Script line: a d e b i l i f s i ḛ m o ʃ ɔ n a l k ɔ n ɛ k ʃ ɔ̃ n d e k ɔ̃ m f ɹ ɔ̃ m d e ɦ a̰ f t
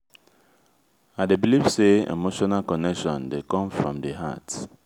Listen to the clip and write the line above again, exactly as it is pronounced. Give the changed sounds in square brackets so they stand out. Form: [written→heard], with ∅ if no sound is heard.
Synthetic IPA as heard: a d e b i l i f s [i→e] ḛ m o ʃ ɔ n a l k ɔ n ɛ k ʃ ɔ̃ n d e k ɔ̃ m f ɹ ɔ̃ m d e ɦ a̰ [f→∅] t